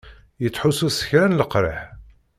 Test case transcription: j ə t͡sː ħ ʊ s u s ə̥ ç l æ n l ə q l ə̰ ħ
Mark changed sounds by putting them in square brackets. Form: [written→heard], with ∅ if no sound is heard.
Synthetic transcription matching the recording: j ə t͡sː ħ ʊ s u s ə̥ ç [l→ɾ] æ n l ə q [l→ɾ] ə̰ ħ